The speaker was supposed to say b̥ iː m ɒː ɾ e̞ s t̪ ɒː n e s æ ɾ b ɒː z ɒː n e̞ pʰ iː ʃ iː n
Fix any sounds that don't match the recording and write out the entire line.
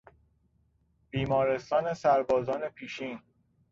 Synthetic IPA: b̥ iː m ɒː ɾ e̞ s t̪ ɒː n e s æ ɾ b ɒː z ɒː n e̞ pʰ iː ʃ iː n

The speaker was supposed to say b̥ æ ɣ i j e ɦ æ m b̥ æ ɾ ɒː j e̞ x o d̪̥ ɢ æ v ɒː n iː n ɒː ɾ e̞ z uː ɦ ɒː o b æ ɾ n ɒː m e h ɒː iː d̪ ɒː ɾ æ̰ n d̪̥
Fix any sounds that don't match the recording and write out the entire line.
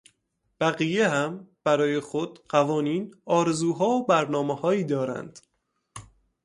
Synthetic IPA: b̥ æ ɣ i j e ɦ æ m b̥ æ ɾ ɒː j e̞ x o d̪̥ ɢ æ v ɒː n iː n ɒː ɾ e̞ z uː ɦ ɒː o b æ ɾ n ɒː m e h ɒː iː d̪ ɒː ɾ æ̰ n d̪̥

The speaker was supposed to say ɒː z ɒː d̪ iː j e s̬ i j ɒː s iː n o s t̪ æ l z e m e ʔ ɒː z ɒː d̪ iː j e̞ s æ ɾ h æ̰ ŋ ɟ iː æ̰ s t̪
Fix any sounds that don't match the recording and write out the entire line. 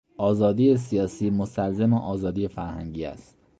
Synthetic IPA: ɒː z ɒː d̪ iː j e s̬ i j ɒː s iː m o s t̪ æ l z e m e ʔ ɒː z ɒː d̪ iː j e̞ f æ ɾ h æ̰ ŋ ɟ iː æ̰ s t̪

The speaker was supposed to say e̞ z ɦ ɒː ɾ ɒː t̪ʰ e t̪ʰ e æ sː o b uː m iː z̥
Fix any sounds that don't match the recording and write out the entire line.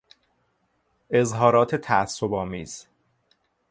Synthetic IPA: e̞ z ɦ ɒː ɾ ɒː t̪ʰ e t̪ʰ æ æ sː o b ɒː m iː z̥

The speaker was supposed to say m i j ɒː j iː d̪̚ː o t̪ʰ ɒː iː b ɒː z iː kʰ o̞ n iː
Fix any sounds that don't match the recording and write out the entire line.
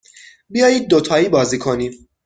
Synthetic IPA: b i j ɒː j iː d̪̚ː o t̪ʰ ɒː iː b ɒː z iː kʰ o̞ n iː

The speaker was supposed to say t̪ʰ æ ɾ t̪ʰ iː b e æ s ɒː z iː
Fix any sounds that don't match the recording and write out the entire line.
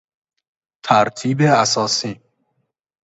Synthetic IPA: t̪ʰ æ ɾ t̪ʰ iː b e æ s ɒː s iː

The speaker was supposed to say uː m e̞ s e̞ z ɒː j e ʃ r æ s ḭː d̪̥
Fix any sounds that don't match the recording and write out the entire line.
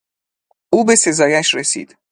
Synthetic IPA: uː b e̞ s e̞ z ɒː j æ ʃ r e s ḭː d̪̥

